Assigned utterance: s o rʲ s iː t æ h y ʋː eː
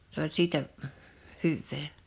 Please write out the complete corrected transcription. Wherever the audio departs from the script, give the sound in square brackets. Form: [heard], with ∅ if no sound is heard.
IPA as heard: s o [lʲ] s iː t æ h y ʋː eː